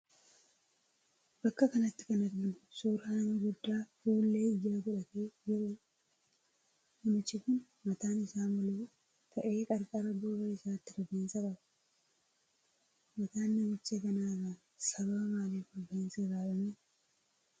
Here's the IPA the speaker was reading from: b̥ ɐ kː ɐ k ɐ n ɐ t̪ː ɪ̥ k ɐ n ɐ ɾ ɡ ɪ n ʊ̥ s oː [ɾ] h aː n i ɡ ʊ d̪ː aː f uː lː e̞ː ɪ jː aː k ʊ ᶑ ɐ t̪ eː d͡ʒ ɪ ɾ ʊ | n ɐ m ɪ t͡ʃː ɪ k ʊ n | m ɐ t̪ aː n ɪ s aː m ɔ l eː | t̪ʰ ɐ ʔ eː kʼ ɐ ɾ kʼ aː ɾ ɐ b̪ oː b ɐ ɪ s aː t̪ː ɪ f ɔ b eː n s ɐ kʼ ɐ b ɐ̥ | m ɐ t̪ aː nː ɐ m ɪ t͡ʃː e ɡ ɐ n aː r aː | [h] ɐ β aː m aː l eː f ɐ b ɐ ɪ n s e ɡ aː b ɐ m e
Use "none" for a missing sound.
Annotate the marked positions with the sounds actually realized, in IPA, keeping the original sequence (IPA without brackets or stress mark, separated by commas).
ɾ, s